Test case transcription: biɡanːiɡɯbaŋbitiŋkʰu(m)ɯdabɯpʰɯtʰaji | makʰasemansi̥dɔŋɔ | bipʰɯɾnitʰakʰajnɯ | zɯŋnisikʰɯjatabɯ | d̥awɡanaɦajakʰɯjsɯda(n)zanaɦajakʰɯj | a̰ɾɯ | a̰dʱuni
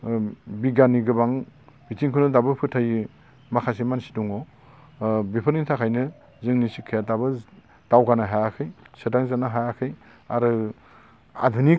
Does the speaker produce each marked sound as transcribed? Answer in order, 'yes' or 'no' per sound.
no, no

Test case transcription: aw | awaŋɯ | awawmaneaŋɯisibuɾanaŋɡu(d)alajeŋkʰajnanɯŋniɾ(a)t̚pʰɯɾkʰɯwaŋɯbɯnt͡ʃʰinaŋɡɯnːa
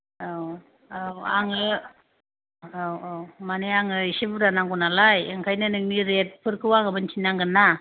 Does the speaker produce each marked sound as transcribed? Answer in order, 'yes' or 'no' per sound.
no, no

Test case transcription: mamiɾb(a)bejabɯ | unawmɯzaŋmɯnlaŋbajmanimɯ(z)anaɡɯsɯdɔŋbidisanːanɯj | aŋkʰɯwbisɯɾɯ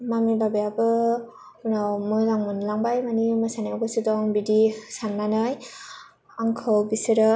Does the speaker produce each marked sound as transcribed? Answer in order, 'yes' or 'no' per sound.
yes, no

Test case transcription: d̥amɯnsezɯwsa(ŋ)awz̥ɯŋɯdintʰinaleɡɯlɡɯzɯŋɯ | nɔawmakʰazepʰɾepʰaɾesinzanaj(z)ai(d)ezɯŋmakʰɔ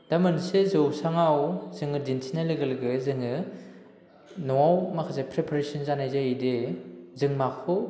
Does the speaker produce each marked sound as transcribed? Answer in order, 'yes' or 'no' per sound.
yes, yes, yes

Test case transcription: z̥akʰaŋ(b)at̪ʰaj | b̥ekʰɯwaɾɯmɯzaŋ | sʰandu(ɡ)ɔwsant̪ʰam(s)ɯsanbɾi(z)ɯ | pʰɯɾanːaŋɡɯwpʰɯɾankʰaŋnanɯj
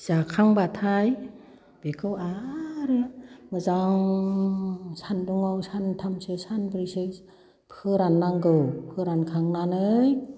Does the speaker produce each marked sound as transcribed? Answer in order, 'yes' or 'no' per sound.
yes, no, yes, no

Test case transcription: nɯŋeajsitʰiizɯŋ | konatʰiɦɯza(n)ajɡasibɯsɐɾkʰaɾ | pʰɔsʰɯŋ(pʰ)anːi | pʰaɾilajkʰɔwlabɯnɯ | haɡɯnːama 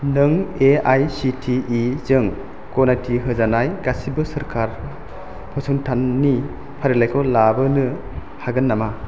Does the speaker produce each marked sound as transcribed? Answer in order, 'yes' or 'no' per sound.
yes, no

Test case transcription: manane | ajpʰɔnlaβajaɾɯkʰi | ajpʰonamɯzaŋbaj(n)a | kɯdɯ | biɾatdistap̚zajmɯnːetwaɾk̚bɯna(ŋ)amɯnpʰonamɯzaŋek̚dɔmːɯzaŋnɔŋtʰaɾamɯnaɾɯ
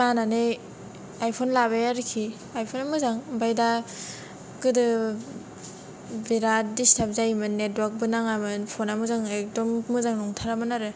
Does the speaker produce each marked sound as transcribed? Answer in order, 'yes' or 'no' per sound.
no, yes

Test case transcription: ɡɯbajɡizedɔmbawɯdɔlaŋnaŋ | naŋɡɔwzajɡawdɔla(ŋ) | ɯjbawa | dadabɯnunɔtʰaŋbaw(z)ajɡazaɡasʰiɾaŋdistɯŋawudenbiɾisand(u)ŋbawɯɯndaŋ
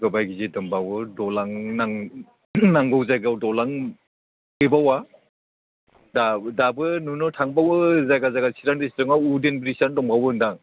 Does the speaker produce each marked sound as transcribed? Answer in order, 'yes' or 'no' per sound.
yes, yes, no

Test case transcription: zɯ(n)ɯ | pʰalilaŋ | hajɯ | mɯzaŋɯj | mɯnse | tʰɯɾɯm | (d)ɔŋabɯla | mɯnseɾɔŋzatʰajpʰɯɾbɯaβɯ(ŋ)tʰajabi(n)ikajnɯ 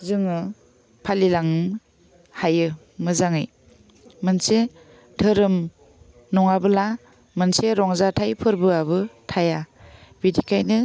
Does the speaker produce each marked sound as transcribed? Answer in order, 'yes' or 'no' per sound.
no, no, no, no

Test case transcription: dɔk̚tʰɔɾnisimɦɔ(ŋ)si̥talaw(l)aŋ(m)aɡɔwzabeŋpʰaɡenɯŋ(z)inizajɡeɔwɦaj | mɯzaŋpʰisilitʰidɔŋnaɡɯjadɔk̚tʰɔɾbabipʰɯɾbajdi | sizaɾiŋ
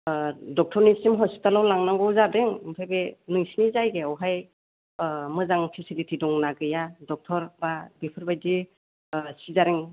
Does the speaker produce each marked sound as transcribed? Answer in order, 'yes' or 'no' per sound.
no, yes, no, no

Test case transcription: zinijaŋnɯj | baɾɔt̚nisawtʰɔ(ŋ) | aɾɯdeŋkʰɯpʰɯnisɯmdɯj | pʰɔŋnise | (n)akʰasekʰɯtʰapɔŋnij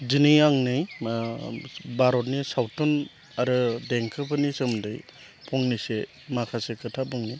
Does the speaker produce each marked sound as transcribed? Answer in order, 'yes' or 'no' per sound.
no, no

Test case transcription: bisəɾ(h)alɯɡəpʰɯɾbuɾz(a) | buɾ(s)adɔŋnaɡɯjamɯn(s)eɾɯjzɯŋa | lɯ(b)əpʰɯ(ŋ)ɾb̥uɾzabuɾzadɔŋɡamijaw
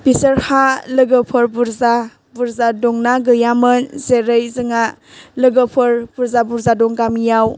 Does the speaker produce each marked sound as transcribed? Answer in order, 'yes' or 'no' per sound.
yes, yes, no, no, no, no

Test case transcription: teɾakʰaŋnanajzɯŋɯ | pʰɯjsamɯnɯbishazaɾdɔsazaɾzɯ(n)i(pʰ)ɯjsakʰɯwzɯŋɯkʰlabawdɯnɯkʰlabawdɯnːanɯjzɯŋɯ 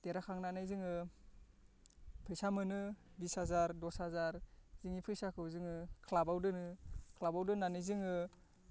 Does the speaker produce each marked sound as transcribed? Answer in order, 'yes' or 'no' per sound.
no, yes

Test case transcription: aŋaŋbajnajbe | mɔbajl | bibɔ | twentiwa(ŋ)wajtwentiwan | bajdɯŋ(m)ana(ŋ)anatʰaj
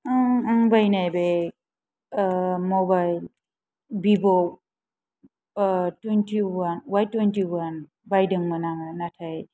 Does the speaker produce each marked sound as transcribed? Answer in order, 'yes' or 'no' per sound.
no, yes, yes

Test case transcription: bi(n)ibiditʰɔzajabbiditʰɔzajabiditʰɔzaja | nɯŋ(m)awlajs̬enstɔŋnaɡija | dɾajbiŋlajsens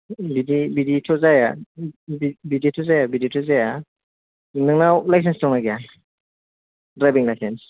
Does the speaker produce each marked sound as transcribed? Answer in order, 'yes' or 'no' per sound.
no, no

